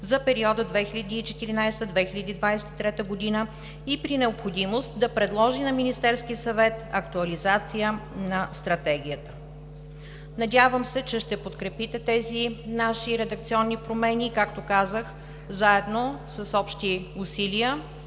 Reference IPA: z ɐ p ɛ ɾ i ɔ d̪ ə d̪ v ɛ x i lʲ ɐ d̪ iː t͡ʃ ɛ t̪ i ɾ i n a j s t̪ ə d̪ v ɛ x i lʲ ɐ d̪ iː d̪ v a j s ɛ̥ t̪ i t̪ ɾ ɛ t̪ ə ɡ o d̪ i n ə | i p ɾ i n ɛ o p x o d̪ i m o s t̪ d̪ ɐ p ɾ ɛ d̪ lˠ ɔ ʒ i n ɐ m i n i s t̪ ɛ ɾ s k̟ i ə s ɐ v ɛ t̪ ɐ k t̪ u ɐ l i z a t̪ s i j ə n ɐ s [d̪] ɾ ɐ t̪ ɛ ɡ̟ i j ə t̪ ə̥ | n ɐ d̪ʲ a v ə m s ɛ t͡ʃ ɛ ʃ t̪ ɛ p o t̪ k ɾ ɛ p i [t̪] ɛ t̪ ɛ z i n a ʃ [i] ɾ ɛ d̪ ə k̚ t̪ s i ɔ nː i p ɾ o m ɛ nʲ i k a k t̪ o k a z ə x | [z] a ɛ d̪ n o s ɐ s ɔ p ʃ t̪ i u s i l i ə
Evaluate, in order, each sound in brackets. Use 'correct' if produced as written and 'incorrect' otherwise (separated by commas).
incorrect, correct, correct, correct